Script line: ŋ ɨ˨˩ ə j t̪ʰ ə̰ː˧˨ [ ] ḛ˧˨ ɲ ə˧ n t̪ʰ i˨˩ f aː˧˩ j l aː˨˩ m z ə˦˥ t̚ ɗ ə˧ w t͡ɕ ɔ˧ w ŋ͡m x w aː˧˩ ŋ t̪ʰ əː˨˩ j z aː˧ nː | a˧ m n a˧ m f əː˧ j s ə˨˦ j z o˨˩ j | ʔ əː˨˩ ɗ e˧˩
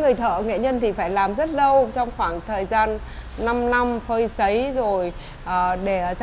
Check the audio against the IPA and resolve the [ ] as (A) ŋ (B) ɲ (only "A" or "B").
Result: A